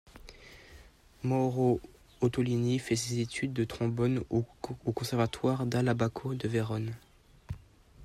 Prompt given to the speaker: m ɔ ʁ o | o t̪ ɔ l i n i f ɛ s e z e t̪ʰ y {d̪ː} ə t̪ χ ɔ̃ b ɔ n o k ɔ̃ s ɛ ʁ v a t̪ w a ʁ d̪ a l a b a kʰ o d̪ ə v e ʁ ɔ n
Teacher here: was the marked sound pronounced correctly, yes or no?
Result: yes